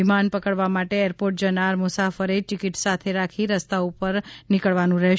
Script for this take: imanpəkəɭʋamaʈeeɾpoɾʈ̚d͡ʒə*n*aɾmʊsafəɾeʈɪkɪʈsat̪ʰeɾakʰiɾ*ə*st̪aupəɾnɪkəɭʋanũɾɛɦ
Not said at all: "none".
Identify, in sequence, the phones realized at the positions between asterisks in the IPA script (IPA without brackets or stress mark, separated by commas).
n, ə